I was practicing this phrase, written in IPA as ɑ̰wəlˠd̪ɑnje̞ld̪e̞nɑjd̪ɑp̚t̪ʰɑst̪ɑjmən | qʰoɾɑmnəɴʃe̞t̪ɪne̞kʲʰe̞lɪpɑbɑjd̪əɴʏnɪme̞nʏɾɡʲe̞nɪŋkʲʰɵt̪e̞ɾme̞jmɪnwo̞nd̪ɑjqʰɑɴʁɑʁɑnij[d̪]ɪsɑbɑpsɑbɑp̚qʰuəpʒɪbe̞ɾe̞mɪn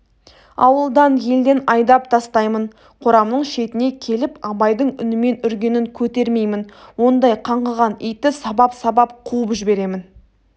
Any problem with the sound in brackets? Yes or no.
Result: yes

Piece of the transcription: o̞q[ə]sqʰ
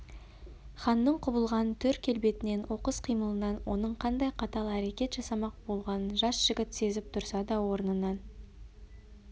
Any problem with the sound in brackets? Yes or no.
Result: no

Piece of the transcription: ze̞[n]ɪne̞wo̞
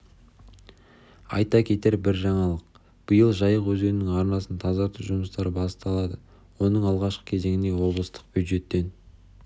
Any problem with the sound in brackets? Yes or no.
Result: yes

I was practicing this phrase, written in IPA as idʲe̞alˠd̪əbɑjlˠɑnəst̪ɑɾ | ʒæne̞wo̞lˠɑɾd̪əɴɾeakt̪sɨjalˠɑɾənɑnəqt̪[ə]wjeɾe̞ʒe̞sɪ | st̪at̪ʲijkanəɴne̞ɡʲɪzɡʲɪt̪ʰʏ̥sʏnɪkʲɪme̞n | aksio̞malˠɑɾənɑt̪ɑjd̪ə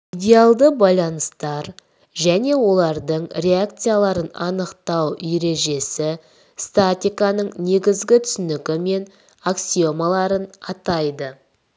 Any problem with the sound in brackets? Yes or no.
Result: yes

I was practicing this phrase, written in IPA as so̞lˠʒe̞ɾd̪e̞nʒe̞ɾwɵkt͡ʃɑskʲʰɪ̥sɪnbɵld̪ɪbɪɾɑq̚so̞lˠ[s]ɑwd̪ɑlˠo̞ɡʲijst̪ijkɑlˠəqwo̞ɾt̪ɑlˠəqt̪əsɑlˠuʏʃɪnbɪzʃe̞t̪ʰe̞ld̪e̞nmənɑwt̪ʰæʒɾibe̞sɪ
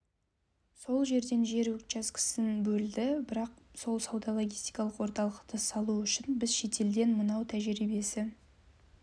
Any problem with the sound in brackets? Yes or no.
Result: no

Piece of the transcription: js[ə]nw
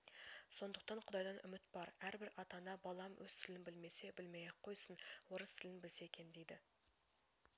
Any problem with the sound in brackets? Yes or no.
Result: no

